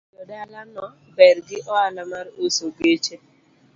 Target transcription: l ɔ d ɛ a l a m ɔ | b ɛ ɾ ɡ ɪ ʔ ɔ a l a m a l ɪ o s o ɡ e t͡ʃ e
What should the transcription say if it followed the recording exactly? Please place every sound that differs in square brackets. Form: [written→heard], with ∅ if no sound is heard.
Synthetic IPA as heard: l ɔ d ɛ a l a [m→n] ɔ | b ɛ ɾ ɡ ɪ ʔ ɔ a l a m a [l→ɾ] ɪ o s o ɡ e t͡ʃ e